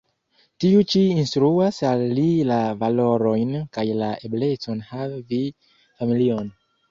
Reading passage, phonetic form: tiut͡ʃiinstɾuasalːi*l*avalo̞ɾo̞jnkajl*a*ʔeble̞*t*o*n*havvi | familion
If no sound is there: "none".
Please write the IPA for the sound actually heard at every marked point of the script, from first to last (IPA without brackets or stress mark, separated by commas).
l, a, t͡s, n